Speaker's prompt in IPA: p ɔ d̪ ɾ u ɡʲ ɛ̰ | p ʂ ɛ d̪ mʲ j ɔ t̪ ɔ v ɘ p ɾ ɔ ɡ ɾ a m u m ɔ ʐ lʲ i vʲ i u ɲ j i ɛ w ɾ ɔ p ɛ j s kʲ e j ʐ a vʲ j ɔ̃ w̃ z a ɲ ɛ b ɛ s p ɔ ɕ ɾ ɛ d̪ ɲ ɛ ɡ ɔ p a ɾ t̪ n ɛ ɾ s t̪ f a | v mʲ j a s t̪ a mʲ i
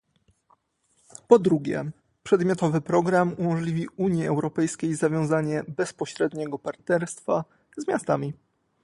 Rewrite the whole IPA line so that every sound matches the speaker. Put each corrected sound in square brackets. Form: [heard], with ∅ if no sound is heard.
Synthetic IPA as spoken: p ɔ d̪ ɾ u ɡʲ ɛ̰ | p ʂ ɛ d̪ mʲ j ɔ t̪ ɔ v ɘ p ɾ ɔ ɡ ɾ a m u m ɔ ʐ lʲ i vʲ i u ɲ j i ɛ w ɾ ɔ p ɛ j s kʲ e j [z] a vʲ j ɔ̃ w̃ z a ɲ ɛ b ɛ s p ɔ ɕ ɾ ɛ d̪ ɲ ɛ ɡ ɔ p a ɾ t̪ n ɛ ɾ s t̪ f a | [z] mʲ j a s t̪ a mʲ i